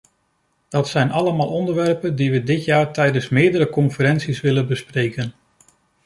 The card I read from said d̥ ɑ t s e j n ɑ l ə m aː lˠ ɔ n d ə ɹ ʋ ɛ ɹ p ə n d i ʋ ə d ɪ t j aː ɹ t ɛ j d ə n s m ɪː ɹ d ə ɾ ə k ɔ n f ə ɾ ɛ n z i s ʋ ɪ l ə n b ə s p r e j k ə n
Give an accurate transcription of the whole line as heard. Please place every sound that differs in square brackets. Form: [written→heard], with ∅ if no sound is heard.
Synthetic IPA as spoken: d̥ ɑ t s [e→ɛ] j n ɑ l ə m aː lˠ ɔ n d ə ɹ ʋ ɛ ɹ p ə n d i ʋ ə d ɪ t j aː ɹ t ɛ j d ə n s m ɪː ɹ d ə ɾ ə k ɔ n f ə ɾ ɛ n [z→s] i s ʋ ɪ l ə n b ə s p r e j k ə n